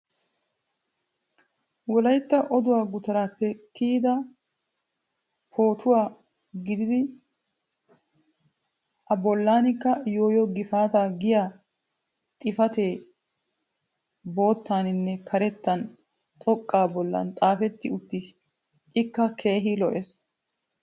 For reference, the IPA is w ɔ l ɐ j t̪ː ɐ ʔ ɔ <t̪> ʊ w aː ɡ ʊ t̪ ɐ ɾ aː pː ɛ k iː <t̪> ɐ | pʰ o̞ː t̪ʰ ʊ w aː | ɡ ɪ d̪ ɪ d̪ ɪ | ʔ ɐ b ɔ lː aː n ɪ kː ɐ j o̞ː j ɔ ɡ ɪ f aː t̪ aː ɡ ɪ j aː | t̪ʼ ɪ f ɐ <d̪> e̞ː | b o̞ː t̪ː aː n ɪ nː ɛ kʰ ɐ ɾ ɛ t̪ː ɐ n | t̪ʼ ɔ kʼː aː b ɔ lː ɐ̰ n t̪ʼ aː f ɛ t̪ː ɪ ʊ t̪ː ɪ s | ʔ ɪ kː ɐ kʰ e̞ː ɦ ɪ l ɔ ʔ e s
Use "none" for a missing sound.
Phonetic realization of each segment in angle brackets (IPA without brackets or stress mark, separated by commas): d̪, d̪, t̪